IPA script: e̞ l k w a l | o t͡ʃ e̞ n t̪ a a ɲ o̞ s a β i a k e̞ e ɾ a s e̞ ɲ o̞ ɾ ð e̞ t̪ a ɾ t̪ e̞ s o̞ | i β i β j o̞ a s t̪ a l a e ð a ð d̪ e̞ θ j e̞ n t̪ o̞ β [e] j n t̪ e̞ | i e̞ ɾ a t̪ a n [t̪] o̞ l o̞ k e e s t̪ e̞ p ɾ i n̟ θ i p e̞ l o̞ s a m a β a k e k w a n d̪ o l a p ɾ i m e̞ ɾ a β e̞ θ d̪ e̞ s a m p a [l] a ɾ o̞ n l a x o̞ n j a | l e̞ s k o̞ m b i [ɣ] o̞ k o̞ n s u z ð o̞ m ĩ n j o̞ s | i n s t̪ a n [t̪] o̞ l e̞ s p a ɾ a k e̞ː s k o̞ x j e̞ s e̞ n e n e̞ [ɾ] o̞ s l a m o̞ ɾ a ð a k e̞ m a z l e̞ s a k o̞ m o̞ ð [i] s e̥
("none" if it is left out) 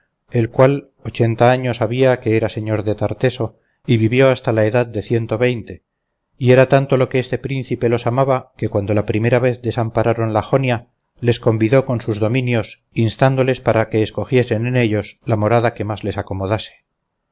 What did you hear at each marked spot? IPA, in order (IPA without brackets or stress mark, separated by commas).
e, t̪, ɾ, ð, d̪, ʎ, a